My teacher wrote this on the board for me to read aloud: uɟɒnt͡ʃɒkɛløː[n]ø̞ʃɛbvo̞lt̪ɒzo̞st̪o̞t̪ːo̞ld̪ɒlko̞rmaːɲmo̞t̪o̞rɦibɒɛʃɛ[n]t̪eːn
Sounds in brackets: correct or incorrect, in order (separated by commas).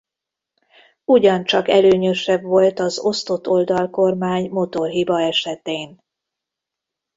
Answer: incorrect, incorrect